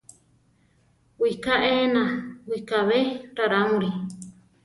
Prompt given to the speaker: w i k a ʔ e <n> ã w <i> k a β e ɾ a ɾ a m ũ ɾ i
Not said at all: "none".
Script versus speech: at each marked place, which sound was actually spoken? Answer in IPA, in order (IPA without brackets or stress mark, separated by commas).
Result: n, i